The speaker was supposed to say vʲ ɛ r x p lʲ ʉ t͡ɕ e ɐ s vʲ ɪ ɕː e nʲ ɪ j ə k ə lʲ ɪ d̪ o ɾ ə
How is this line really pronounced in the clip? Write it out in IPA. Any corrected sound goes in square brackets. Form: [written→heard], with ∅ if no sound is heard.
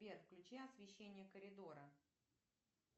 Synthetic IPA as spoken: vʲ [ɛ→e] r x [p→k] lʲ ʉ t͡ɕ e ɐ s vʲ ɪ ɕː e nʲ ɪ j ə k ə [lʲ→ɾʲ] ɪ d̪ o ɾ ə